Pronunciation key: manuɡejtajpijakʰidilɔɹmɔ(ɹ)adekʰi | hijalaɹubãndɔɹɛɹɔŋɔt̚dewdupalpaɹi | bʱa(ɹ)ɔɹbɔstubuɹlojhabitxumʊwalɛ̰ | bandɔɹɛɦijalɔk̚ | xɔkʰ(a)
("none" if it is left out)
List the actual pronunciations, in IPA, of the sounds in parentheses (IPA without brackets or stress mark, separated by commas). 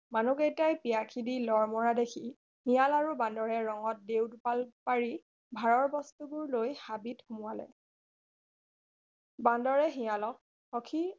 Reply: ɹ, ɹ, i